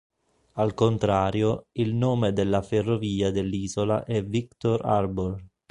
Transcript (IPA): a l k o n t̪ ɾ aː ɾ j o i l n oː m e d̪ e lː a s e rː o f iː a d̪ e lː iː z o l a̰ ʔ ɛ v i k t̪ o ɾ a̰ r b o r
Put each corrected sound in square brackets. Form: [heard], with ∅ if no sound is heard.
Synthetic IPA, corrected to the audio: a l k o n t̪ ɾ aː ɾ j o i l n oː m e d̪ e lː a [f] e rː o [v] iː a d̪ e lː iː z o l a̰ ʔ ɛ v i k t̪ o ɾ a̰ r b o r